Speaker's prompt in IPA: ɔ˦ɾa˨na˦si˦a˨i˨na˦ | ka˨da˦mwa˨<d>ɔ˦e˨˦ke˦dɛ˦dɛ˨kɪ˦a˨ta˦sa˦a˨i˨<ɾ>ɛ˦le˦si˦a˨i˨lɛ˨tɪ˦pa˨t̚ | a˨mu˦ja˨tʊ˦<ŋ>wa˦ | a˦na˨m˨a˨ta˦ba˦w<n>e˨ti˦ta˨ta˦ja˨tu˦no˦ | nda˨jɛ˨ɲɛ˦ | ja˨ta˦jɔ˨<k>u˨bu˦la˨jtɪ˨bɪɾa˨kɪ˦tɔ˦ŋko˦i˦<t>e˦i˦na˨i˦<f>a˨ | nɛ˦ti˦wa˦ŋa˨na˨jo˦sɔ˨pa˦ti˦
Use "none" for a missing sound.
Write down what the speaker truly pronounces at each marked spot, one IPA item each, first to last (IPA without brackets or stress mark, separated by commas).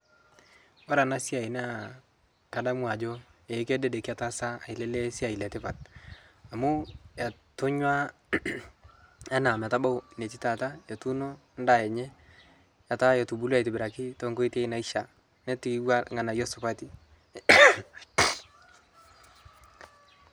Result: d͡ʒ, l, ɲ, n, t, t, ʃ